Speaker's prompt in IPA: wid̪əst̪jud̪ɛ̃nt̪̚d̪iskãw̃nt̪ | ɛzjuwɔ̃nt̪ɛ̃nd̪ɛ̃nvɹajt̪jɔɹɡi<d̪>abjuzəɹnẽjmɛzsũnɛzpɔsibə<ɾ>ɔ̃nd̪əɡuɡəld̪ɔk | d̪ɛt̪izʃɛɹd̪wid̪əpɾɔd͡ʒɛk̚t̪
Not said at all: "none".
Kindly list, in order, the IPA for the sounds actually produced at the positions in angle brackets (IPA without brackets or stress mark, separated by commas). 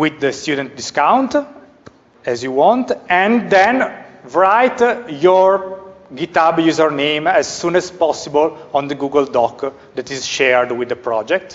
t̪, l